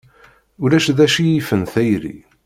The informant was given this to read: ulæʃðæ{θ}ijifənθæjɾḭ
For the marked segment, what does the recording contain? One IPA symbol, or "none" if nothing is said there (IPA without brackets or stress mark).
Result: ʃ